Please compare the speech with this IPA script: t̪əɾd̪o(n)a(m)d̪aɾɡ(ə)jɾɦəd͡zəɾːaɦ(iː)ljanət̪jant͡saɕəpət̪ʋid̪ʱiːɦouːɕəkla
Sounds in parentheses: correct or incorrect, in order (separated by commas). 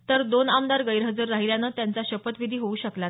correct, correct, correct, incorrect